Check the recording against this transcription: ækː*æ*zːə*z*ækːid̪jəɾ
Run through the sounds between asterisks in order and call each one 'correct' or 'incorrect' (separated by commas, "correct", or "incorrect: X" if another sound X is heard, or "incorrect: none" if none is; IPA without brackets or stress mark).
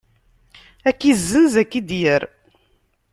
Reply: incorrect: i, correct